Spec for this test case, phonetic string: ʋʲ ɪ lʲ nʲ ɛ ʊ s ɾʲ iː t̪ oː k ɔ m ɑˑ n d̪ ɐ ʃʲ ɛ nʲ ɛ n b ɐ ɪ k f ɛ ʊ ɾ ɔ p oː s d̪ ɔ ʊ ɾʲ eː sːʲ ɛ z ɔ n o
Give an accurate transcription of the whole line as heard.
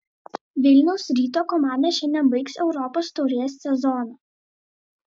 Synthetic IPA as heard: ʋʲ ɪ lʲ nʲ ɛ ʊ s ɾʲ iː t̪ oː k ɔ m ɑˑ n d̪ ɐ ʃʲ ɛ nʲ ɛ n b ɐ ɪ k s ɛ ʊ ɾ ɔ p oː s t̪ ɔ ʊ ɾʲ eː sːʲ ɛ z ɔ n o